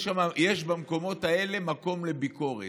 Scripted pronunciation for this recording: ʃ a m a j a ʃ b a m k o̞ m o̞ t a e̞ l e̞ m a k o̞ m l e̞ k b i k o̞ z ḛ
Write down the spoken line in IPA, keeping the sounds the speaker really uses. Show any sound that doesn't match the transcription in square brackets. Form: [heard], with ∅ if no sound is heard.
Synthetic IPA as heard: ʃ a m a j [e] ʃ b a m k o̞ m o̞ t a e̞ l e̞ m a k o̞ m l e̞ [∅] b i k o̞ [ʁ] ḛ